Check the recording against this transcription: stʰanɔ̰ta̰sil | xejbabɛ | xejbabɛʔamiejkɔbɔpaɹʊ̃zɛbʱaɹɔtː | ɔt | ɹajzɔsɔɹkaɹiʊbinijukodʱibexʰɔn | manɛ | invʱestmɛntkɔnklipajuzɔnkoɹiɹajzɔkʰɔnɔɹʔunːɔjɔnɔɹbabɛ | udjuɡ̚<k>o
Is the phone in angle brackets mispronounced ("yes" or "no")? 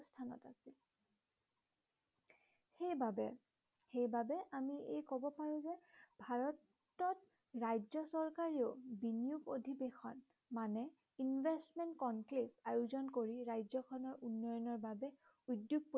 yes